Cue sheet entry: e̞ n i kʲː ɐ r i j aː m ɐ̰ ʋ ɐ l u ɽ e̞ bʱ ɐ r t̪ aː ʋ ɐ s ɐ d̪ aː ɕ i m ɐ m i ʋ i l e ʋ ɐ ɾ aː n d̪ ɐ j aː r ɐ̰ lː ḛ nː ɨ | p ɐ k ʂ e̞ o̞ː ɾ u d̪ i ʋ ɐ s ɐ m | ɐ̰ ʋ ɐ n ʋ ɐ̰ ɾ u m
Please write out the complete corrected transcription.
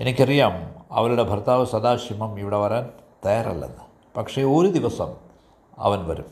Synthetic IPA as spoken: e̞ n i kʲː ɐ r i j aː m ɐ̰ ʋ ɐ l u ɽ e̞ bʱ ɐ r t̪ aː ʋ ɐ s ɐ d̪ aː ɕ i m ɐ m i ʋ i ɽ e ʋ ɐ ɾ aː n t̪ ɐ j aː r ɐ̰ lː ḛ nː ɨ | p ɐ k ʂ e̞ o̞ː ɾ u d̪ i ʋ ɐ s ɐ m | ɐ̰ ʋ ɐ n ʋ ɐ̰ ɾ u m